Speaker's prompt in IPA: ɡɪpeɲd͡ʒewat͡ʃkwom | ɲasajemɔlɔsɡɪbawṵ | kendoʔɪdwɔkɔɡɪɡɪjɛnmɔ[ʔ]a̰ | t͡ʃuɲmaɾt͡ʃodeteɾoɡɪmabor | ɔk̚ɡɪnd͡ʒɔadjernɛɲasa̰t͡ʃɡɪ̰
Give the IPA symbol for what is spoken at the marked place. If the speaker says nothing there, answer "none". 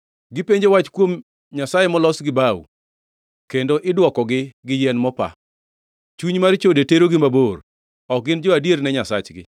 p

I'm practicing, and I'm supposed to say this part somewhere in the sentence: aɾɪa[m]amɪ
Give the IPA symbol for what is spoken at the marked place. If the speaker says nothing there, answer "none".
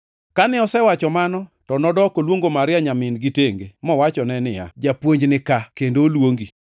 ɲ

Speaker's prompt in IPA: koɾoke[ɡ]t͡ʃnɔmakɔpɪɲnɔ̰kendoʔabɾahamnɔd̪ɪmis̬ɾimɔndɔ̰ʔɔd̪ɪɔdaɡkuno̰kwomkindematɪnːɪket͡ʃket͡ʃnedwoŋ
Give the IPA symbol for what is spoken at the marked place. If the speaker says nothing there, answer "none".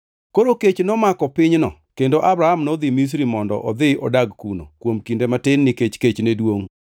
none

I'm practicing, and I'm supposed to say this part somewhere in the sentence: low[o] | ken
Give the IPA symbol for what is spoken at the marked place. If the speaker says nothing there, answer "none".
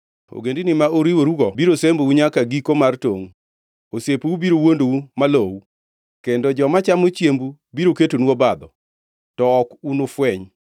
u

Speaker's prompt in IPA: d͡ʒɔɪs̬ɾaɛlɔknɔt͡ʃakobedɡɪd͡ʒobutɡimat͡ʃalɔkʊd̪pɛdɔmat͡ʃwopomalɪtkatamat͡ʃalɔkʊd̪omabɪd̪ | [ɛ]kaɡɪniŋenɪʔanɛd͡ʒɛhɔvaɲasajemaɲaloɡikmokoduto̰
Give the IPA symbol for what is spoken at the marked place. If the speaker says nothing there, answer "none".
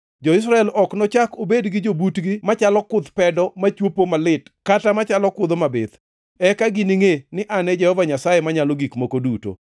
ɛ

